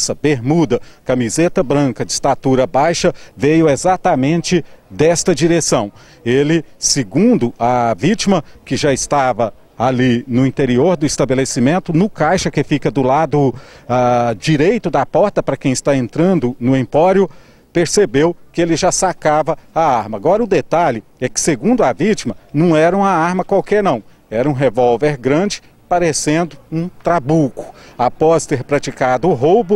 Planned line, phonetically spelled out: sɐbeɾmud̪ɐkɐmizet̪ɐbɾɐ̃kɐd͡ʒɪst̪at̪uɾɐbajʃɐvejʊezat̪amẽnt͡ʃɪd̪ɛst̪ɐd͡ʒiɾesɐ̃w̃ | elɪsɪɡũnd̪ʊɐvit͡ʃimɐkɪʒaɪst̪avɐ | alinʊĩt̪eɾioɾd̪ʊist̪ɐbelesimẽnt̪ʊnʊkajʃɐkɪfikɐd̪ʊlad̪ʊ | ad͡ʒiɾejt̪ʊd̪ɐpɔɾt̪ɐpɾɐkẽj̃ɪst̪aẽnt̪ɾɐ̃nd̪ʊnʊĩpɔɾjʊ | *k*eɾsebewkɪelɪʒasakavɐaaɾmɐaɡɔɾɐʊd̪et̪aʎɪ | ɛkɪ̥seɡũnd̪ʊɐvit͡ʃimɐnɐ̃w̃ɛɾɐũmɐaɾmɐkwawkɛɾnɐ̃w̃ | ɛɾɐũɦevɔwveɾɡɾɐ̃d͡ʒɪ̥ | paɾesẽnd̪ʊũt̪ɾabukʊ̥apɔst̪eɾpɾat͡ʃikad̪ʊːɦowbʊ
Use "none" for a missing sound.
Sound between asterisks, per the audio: p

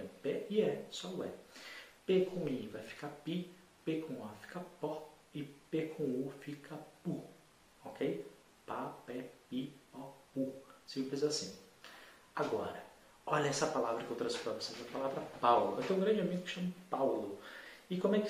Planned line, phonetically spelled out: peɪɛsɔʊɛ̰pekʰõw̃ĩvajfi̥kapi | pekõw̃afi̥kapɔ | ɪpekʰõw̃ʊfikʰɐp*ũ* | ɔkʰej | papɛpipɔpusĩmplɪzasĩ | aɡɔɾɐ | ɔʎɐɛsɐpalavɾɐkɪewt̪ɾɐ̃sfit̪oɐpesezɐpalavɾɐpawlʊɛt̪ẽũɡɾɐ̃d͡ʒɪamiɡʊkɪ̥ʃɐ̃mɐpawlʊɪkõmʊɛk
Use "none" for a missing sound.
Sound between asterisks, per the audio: u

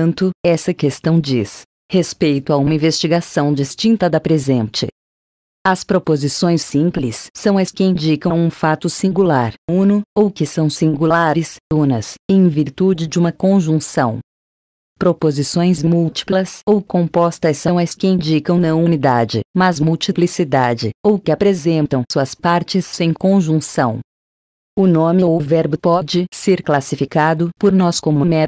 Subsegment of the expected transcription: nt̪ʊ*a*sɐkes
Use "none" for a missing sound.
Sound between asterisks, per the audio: ɛ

